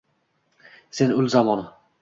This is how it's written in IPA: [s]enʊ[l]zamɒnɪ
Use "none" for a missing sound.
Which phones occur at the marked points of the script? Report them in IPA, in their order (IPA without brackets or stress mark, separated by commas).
s, l